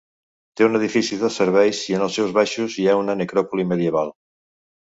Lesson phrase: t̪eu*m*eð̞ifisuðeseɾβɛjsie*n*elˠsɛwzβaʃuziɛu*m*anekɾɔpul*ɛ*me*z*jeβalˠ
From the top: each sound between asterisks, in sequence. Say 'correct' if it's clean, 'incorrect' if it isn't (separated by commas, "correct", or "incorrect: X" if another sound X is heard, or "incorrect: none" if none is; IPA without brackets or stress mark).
incorrect: n, correct, incorrect: n, incorrect: i, incorrect: ð